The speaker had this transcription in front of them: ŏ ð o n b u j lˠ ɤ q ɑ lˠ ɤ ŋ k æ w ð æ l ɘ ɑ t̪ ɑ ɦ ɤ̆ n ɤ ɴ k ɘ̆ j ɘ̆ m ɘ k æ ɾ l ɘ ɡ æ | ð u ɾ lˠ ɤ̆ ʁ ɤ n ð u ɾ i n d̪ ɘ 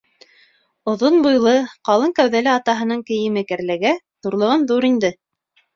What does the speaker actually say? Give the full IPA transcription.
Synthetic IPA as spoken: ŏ ð o n b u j lˠ ɤ q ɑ lˠ ɤ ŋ k æ w ð æ l ɘ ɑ t̪ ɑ ɦ ɤ̆ n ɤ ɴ k ɘ̆ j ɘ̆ m ɘ k æ ɾ l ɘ ɡ æ | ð u ɾ lˠ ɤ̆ ʁ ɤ n ð u ɾ i n d̪ ɘ